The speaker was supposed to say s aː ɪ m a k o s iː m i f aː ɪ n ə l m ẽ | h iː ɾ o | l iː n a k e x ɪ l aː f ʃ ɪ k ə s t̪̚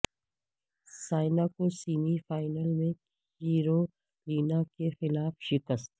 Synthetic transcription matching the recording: s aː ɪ n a k o s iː m i f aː ɪ n ə l m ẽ | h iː ɾ o | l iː n a k e x ɪ l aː f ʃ ɪ k ə s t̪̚